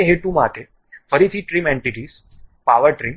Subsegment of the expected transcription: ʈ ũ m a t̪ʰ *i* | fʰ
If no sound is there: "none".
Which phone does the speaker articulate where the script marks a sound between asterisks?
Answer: e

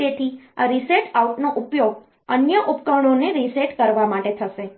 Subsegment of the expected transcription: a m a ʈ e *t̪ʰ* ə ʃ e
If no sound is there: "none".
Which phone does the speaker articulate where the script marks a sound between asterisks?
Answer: t̪ʰ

